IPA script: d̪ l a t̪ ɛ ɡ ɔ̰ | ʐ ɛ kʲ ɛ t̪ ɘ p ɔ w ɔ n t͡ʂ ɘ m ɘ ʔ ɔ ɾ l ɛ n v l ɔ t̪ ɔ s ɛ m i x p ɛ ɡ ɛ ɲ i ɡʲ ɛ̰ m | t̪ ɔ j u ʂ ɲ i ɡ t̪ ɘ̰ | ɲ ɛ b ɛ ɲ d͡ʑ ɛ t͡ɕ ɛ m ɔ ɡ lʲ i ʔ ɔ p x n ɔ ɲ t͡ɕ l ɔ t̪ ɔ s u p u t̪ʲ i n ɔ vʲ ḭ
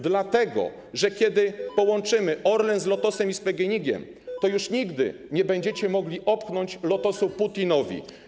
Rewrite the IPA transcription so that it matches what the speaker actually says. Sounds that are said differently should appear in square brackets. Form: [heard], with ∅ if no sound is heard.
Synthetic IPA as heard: d̪ l a t̪ ɛ ɡ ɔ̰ | ʐ ɛ kʲ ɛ [d̪] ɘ p ɔ w ɔ n t͡ʂ ɘ m ɘ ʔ ɔ ɾ l ɛ n [z] l ɔ t̪ ɔ s ɛ m i [s] p ɛ ɡ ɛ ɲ i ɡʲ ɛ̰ m | t̪ ɔ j u ʂ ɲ i ɡ [d̪] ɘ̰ | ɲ ɛ b ɛ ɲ d͡ʑ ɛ t͡ɕ ɛ m ɔ ɡ lʲ i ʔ ɔ p x n ɔ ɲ t͡ɕ l ɔ t̪ ɔ s u p u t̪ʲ i n ɔ vʲ ḭ